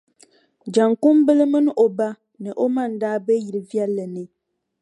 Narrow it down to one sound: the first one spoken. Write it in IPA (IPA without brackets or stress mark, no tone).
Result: d͡ʒ